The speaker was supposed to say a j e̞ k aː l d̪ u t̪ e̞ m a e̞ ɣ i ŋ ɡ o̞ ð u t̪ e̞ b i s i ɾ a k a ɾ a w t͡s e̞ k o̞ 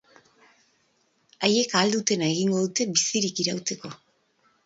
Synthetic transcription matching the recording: a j e̞ k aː l d̪ u t̪ e̞ n a e̞ ɣ i ŋ ɡ o̞ ð u t̪ e̞ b i s i ɾ i k i ɾ a w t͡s e̞ k o̞